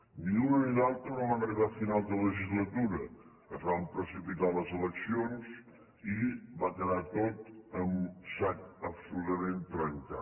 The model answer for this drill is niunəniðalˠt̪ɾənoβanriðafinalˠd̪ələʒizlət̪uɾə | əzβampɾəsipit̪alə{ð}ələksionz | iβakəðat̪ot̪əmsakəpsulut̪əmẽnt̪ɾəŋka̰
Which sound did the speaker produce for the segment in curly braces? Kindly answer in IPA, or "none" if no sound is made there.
z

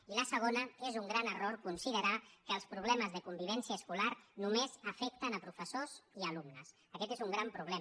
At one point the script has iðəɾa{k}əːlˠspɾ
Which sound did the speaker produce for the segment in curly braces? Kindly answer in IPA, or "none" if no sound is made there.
k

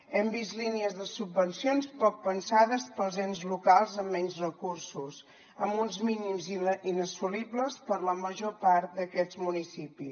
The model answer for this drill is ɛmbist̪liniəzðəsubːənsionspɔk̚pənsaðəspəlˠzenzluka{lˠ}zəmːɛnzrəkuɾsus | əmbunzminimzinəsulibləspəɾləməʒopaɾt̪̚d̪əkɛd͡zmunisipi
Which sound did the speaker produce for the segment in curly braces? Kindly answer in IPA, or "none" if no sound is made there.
lˠ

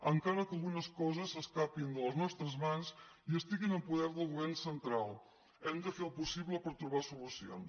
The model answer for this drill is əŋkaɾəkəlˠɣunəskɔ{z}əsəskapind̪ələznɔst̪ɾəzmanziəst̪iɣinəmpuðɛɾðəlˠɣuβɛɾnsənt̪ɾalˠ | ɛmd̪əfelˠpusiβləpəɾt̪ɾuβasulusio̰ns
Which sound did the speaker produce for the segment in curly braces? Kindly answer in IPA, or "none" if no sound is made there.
z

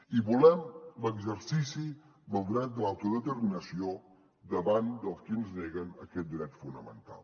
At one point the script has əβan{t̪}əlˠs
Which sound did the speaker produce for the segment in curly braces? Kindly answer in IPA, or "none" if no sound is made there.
d̪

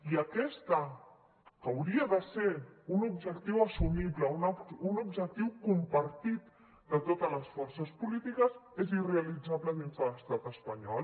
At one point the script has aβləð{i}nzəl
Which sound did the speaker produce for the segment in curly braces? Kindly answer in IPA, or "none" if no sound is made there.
i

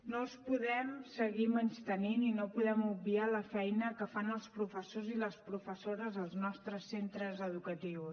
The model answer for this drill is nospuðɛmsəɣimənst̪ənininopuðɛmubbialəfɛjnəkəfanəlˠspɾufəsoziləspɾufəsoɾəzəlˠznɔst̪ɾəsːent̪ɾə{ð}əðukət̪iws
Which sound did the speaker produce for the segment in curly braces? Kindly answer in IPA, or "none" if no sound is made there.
z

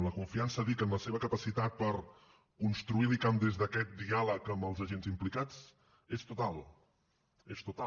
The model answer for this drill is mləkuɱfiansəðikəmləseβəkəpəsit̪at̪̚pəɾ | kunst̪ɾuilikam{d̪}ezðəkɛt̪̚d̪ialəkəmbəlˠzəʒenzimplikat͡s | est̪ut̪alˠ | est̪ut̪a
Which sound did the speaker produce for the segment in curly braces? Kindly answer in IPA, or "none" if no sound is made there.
d̪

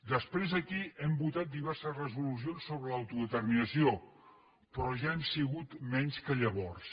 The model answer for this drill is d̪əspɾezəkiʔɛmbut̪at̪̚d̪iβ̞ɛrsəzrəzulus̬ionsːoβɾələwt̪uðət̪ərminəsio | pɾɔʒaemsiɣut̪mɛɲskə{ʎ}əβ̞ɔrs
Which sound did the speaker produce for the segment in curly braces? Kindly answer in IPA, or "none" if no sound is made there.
ʎ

